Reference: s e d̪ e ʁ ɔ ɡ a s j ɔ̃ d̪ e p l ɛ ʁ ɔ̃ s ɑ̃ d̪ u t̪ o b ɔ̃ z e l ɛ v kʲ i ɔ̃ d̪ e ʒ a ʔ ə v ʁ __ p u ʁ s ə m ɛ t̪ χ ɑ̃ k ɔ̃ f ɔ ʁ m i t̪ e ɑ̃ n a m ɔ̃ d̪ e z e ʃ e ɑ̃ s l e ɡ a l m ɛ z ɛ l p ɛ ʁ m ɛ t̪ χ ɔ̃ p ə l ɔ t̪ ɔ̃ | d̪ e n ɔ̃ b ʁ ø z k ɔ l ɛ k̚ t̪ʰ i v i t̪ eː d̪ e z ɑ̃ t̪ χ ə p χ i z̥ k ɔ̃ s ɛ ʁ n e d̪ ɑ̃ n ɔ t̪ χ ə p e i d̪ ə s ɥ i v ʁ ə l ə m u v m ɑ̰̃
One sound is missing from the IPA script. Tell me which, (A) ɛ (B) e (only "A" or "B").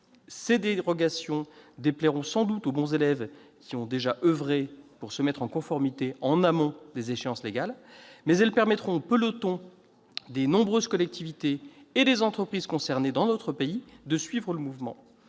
B